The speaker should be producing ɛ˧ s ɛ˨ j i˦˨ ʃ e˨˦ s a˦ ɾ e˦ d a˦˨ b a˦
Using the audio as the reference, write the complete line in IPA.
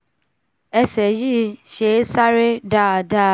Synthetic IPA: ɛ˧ s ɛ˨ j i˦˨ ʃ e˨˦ s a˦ ɾ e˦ d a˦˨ d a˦